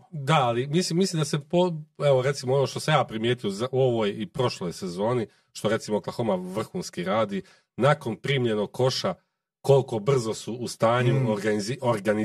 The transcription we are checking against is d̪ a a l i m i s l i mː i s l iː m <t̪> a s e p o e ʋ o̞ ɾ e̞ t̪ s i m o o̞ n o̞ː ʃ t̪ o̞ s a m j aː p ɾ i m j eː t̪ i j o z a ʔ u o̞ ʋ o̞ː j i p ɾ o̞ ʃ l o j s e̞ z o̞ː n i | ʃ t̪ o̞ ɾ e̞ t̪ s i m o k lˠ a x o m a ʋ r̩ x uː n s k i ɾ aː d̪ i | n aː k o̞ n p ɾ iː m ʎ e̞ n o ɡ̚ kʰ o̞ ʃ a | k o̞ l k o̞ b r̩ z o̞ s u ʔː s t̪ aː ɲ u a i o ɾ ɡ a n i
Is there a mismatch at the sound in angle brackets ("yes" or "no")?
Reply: yes